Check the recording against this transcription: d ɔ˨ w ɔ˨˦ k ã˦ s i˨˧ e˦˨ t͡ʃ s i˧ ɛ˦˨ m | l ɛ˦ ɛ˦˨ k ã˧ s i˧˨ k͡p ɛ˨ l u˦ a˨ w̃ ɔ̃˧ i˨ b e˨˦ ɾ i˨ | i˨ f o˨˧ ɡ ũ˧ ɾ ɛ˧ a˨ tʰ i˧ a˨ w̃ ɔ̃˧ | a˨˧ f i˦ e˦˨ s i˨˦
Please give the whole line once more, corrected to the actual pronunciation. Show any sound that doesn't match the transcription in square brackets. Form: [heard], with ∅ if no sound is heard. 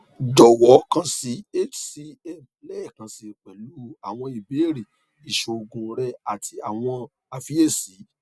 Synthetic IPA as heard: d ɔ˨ w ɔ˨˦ k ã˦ s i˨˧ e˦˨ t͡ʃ s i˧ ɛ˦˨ m | l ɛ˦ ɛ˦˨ k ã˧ s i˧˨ k͡p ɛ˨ l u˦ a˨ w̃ ɔ̃˧ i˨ b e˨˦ ɾ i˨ | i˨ [ʃ] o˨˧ ɡ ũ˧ ɾ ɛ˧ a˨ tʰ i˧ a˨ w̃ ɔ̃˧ | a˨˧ f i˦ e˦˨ s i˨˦